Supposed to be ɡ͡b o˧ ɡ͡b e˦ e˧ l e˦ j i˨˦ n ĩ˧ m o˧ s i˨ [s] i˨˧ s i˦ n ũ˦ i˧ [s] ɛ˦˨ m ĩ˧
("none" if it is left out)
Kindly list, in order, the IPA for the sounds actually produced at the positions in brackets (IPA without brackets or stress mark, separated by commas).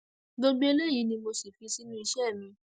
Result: f, ʃ